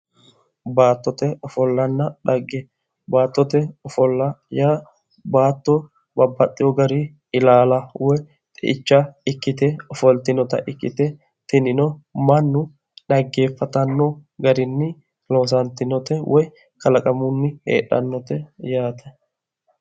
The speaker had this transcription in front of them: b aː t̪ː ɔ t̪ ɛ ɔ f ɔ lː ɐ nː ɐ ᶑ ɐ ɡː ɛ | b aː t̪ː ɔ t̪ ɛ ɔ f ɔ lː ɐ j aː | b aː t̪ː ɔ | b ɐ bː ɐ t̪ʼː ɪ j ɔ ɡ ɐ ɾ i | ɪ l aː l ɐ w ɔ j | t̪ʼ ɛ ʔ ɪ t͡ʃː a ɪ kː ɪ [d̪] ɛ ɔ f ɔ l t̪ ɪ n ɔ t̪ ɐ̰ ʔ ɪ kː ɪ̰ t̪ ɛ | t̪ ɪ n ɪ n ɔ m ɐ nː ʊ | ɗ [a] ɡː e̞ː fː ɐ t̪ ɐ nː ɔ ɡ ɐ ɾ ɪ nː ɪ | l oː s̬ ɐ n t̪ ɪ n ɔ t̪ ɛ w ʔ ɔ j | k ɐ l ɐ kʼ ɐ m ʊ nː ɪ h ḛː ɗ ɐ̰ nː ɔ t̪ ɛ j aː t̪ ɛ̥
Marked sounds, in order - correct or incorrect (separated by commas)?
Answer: incorrect, incorrect